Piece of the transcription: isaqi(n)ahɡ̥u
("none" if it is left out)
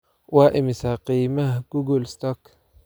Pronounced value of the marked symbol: m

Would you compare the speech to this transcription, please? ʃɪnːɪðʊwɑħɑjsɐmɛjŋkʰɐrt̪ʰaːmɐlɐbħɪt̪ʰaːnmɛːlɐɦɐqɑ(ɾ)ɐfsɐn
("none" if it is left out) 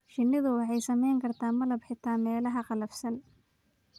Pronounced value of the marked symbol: l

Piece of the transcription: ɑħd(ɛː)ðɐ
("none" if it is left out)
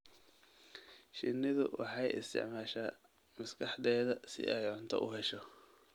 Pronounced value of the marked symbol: ɛː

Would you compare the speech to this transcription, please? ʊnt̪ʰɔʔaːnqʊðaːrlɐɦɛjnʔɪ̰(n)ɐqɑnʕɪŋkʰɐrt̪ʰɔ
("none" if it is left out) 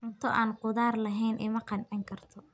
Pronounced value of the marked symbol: m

